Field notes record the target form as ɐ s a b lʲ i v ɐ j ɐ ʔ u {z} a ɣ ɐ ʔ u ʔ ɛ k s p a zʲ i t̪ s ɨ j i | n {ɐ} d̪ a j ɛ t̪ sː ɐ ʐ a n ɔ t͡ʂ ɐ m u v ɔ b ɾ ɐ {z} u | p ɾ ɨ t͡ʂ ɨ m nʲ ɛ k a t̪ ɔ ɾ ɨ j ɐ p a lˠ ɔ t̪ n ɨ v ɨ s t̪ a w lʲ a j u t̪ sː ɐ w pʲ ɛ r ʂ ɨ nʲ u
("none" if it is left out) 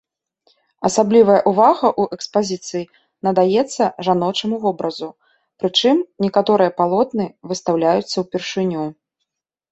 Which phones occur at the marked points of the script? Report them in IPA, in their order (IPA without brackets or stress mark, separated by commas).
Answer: v, ɐ, z